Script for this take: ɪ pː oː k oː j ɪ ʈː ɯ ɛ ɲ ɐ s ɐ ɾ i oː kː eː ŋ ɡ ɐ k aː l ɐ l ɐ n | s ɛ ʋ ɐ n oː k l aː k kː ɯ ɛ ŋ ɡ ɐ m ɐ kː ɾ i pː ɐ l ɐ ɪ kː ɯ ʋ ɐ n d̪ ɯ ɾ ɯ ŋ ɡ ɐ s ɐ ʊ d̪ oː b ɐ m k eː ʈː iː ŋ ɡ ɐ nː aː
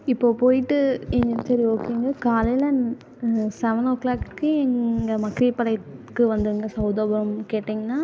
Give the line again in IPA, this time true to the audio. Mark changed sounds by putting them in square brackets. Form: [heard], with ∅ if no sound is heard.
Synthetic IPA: ɪ pː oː [p] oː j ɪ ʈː ɯ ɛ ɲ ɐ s ɐ ɾ i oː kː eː ŋ ɡ ɐ k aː l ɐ l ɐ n | s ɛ ʋ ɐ n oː k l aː k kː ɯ ɛ ŋ ɡ ɐ m ɐ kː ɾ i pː ɐ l ɐ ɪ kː ɯ ʋ ɐ n d̪ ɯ ɾ ɯ ŋ ɡ ɐ s ɐ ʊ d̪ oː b ɐ m k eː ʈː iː ŋ ɡ ɐ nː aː

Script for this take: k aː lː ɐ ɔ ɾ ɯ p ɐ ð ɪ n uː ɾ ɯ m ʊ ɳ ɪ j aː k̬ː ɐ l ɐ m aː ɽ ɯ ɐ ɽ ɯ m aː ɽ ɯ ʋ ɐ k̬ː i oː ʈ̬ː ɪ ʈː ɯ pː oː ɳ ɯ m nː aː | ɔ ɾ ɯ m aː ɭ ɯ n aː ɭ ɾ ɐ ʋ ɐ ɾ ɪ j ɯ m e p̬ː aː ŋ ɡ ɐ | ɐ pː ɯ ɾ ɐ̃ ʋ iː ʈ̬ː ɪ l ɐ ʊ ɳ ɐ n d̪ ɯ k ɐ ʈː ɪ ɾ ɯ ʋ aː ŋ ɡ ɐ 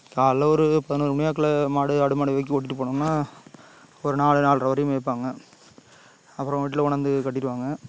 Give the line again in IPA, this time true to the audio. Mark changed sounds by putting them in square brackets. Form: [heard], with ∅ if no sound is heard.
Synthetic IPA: k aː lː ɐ ɔ ɾ ɯ p ɐ ð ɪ n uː ɾ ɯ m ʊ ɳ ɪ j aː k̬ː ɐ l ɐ m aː ɽ ɯ ɐ ɽ ɯ m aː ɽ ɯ ʋ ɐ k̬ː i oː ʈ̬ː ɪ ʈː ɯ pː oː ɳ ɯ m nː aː | ɔ ɾ ɯ [n] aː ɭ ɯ n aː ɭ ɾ ɐ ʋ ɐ ɾ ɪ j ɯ m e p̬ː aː ŋ ɡ ɐ | ɐ pː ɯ ɾ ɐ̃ ʋ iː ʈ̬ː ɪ l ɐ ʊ ɳ ɐ n d̪ ɯ k ɐ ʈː ɪ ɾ ɯ ʋ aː ŋ ɡ ɐ

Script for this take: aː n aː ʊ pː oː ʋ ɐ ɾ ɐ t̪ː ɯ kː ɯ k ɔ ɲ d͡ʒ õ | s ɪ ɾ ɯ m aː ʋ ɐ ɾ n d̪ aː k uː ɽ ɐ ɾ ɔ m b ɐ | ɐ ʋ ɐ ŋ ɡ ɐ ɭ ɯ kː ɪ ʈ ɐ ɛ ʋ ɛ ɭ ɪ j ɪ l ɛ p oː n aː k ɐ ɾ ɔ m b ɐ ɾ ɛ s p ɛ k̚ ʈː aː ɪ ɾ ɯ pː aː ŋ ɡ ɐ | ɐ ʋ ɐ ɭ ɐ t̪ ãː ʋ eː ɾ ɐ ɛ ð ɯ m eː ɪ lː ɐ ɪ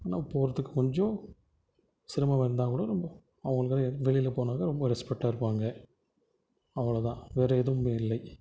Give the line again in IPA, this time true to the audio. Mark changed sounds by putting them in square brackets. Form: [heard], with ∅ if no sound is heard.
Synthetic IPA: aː n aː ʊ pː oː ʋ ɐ ɾ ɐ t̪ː ɯ kː ɯ k ɔ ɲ d͡ʒ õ | s ɪ ɾ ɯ m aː ʋ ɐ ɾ n d̪ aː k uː ɽ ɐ ɾ ɔ m b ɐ | ɐ ʋ ɐ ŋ ɡ ɐ ɭ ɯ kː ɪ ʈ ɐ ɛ ʋ ɛ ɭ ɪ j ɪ l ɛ p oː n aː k ɐ ɾ ɔ m b ɐ ɾ ɛ s p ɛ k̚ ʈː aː ɪ ɾ ɯ pː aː ŋ ɡ ɐ | ɐ ʋ ɐ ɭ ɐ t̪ ãː ʋ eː ɾ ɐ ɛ ð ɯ m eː ɪ lː ɐ ɪ

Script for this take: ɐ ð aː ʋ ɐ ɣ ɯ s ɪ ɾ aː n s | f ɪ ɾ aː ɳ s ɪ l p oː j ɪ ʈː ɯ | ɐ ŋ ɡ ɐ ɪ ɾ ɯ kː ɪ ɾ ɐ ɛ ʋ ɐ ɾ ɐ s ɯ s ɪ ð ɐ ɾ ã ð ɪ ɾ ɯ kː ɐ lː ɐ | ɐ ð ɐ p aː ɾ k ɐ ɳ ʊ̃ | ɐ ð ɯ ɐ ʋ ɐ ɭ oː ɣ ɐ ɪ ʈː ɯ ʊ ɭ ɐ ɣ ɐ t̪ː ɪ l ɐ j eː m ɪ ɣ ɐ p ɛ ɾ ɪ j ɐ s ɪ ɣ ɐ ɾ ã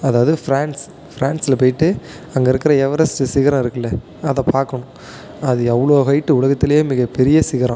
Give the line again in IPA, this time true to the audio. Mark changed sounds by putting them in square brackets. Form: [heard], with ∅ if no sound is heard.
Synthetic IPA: ɐ ð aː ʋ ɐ [ð] ɯ [f] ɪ ɾ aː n s | f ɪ ɾ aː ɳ s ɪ l p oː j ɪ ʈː ɯ | ɐ ŋ ɡ ɐ ɪ ɾ ɯ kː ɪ ɾ ɐ ɛ ʋ ɐ ɾ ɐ s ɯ s ɪ [ɣ] ɐ ɾ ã [∅] ɪ ɾ ɯ kː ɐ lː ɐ | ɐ ð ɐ p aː ɾ k ɐ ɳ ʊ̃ | ɐ ð ɯ ɐ ʋ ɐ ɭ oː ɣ ɐ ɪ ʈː ɯ ʊ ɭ ɐ ɣ ɐ t̪ː ɪ l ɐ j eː m ɪ ɣ ɐ p ɛ ɾ ɪ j ɐ s ɪ ɣ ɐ ɾ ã

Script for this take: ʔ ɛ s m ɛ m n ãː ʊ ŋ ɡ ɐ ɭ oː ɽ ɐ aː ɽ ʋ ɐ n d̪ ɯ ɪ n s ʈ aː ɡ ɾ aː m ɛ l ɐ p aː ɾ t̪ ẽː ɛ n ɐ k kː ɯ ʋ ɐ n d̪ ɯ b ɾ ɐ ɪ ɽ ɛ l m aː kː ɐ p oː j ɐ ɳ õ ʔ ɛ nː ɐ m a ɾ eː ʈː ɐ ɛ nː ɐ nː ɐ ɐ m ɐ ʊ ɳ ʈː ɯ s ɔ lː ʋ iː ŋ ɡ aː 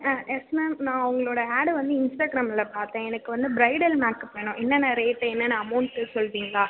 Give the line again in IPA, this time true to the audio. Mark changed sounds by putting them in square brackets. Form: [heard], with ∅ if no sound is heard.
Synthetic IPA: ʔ ɛ s m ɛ m n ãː ʊ ŋ ɡ ɐ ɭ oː ɽ ɐ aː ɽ ʋ ɐ n d̪ ɯ ɪ n s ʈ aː ɡ ɾ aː m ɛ l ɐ p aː ɾ t̪ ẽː ɛ n ɐ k kː ɯ ʋ ɐ n d̪ ɯ b ɾ ɐ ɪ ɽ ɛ l m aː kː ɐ p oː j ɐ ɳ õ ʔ ɛ nː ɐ [n] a ɾ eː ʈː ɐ ɛ nː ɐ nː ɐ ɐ m ɐ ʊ ɳ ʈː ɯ s ɔ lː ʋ iː ŋ ɡ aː

